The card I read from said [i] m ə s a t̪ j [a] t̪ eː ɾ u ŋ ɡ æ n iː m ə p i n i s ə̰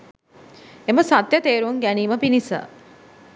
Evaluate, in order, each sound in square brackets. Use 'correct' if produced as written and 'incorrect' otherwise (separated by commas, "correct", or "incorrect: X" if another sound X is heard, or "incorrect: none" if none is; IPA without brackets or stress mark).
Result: incorrect: e, incorrect: ə